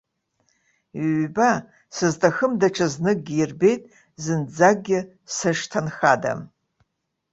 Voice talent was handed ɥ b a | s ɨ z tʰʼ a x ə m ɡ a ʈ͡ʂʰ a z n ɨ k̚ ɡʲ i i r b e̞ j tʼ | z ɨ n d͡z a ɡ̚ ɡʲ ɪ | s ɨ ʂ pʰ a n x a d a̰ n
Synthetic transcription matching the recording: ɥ b a | s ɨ z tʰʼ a x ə m d a ʈ͡ʂʰ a z n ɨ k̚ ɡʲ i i r b e̞ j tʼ | z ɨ n d͡z a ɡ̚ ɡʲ ɪ | s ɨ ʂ tʰ a n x a d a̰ m